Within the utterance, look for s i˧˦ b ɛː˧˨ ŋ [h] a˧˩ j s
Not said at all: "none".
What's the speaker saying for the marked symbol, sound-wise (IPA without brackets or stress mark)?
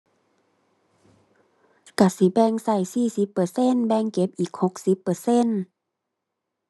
s